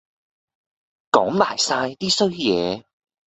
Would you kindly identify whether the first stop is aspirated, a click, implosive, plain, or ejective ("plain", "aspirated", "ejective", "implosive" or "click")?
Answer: plain